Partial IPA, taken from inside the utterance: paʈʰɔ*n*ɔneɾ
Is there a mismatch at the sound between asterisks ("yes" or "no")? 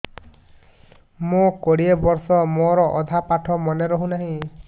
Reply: yes